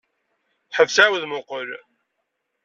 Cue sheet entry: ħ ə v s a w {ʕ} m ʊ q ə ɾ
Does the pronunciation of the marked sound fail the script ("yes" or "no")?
yes